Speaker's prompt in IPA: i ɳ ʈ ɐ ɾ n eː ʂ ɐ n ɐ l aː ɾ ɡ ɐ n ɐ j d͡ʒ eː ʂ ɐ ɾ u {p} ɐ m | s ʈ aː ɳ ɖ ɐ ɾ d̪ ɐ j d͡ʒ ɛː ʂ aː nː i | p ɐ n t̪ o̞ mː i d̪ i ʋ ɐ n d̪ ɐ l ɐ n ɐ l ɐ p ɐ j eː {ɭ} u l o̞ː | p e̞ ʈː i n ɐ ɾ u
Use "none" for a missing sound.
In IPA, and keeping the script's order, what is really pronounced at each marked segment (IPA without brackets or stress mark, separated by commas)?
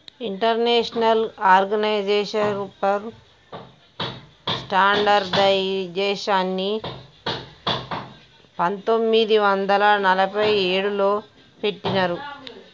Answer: p, ɽ